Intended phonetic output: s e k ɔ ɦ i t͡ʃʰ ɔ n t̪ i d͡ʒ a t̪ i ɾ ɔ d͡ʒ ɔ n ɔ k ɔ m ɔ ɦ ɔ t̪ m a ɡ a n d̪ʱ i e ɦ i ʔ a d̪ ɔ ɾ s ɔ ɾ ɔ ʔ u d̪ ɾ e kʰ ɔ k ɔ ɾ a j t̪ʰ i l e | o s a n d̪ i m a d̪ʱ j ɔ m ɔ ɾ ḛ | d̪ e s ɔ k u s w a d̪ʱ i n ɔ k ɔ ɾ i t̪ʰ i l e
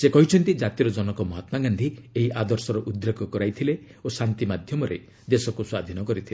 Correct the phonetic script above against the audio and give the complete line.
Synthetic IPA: s e k ɔ ɦ i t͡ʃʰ ɔ n t̪ i d͡ʒ a t̪ i ɾ ɔ d͡ʒ ɔ n ɔ k ɔ m ɔ ɦ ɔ t̪ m a ɡ a n d̪ʱ i e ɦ i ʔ a d̪ ɔ ɾ s ɔ ɾ ɔ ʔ u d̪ ɾ e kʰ ɔ k ɔ ɾ a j t̪ʰ i l e | o s a n t̪ i m a d̪ʱ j ɔ m ɔ ɾ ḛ | d̪ e s ɔ k u s w a d̪ʱ i n ɔ k ɔ ɾ i t̪ʰ i l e

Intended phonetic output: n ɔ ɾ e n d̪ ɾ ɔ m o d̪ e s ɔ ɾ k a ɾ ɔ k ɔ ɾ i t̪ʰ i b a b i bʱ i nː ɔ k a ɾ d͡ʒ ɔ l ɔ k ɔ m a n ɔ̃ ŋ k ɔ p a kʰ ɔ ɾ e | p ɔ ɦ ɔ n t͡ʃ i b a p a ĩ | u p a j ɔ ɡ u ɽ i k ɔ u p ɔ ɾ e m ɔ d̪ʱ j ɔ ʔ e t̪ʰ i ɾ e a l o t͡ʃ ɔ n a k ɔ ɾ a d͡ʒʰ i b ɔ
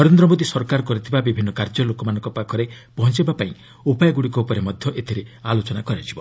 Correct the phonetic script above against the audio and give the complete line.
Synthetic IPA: n ɔ ɾ e n d̪ ɾ ɔ m o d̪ i s ɔ ɾ k a ɾ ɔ k ɔ ɾ i t̪ʰ i b a b i bʱ i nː ɔ k a ɾ d͡ʒ ɔ l o k ɔ m a n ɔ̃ ŋ k ɔ p a kʰ ɔ ɾ e | p ɔ ɦ ɔ n t͡ʃ i b a p a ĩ | u p a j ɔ ɡ u ɽ i k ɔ u p ɔ ɾ e m ɔ d̪ʱ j ɔ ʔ e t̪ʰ i ɾ e a l o t͡ʃ ɔ n a k ɔ ɾ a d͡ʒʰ i b ɔ

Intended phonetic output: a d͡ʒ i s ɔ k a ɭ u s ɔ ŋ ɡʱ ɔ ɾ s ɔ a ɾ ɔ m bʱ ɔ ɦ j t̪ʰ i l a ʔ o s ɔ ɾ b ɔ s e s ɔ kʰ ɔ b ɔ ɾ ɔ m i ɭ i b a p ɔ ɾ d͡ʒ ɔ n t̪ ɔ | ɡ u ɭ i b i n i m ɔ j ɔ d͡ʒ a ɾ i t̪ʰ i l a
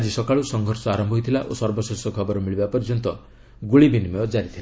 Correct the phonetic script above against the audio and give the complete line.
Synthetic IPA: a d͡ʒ i s ɔ k a ɭ u s ɔ ŋ ɡʱ ɔ ɾ s ɔ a ɾ ɔ m bʱ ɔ ɦ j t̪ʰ i l a ʔ o s ɔ ɾ b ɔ s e s ɔ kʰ ɔ b ɔ ɾ ɔ m i ɭ i b a p ɔ ɾ d͡ʒ ɔ n t̪ ɔ | ɡ u ɭ i b i n i m ɔ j ɔ d͡ʒ a ɾ i t̪ʰ i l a

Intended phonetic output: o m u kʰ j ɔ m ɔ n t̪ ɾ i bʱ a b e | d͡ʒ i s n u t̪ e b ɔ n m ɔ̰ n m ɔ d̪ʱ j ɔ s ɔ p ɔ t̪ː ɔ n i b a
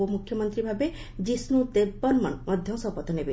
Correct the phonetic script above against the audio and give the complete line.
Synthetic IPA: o m u kʰ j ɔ m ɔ n t̪ ɾ i bʱ a b e | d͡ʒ i s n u t̪ e b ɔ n m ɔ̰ n m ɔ d̪ʱ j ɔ s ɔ p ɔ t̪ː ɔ n e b e

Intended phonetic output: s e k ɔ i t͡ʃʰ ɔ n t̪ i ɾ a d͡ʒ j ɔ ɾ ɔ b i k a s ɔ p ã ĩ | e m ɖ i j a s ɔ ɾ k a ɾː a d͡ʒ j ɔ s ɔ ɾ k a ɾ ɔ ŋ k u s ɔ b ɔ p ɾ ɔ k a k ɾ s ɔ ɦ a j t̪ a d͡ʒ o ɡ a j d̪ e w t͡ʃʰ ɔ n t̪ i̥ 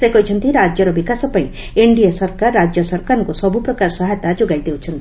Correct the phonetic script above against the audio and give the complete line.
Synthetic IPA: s e k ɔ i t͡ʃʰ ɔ n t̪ i ɾ a d͡ʒ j ɔ ɾ ɔ b i k a s ɔ p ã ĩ | e ɳ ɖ i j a s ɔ ɾ k a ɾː a d͡ʒ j ɔ s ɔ ɾ k a ɾ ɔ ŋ k u s ɔ b u p ɾ ɔ k a ɾ s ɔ ɦ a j t̪ a d͡ʒ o ɡ a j d̪ e w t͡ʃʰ ɔ n t̪ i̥

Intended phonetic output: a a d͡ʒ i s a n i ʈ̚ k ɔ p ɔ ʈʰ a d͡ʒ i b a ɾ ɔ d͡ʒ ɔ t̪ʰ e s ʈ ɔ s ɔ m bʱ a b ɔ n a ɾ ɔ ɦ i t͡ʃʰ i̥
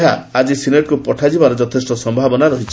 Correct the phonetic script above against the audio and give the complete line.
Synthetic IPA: a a d͡ʒ i s i n e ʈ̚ k u p ɔ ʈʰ a d͡ʒ i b a ɾ ɔ d͡ʒ ɔ t̪ʰ e s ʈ ɔ s ɔ m bʱ a b ɔ n a ɾ ɔ ɦ i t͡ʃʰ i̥

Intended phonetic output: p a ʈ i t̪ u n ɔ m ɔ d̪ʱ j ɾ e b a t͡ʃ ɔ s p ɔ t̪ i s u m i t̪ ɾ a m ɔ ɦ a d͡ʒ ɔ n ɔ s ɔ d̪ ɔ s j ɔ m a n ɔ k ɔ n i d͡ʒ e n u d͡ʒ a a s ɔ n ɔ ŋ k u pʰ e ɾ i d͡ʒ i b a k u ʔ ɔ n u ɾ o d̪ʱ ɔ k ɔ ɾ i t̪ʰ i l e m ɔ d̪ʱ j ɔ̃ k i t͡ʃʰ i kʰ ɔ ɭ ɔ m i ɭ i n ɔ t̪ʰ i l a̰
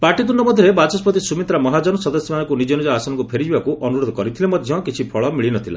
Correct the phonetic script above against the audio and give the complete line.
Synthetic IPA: p a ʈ i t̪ u n ɔ m ɔ d̪ʱ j ɾ e b a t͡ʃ ɔ s p ɔ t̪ i s u m i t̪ ɾ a m ɔ ɦ a d͡ʒ ɔ n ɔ s ɔ d̪ ɔ s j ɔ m a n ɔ k u n i d͡ʒ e n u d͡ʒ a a s ɔ n ɔ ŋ k u pʰ e ɾ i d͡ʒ i b a k u ʔ ɔ n u ɾ o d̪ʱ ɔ k ɔ ɾ i t̪ʰ i l e m ɔ d̪ʱ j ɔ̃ k i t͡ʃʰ i pʰ ɔ ɭ ɔ m i ɭ i n ɔ t̪ʰ i l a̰

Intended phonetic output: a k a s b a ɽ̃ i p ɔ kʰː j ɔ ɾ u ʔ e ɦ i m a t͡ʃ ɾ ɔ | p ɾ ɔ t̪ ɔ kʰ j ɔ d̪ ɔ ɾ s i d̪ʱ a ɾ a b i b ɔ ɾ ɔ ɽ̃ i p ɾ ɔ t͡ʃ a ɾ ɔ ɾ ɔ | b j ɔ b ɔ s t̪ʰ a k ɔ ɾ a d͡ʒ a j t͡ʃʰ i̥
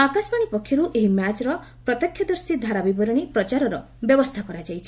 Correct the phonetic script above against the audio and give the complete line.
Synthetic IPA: a k a s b a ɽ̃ i p ɔ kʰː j ɔ ɾ u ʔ e ɦ i m a t͡ʃ ɾ ɔ | p ɾ ɔ t̪ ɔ kʰ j ɔ d̪ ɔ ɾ s i d̪ʱ a ɾ a b i b ɔ ɾ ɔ ɽ̃ i p ɾ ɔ t͡ʃ a ɾ ɔ ɾ ɔ | b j ɔ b ɔ s t̪ʰ a k ɔ ɾ a d͡ʒ a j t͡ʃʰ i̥

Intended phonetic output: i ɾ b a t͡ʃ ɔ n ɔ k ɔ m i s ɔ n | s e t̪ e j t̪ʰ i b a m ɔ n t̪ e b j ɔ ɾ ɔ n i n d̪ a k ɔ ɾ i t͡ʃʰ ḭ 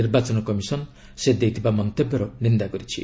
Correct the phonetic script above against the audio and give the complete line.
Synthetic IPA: i ɾ b a t͡ʃ ɔ n ɔ k ɔ m i s ɔ n | s e d̪ e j t̪ʰ i b a m ɔ n t̪ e b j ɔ ɾ ɔ n i n d̪ a k ɔ ɾ i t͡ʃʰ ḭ

